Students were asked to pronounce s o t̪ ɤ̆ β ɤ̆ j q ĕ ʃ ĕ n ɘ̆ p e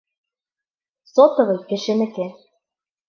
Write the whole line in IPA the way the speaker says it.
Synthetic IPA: s o t̪ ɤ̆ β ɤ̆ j k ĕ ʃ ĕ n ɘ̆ k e